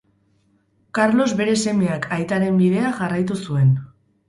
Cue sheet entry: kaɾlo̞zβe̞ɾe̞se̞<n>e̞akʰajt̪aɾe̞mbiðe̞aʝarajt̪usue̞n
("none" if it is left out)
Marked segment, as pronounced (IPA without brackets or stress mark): m